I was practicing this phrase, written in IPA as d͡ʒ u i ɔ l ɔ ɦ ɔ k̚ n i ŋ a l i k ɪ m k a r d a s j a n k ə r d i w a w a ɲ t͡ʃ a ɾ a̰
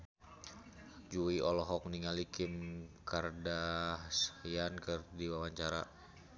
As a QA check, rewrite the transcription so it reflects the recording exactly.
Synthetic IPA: d͡ʒ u i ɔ l ɔ ɦ ɔ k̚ n i ŋ a l i k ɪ m k a r d a s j a n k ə r d i w a w a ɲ t͡ʃ a ɾ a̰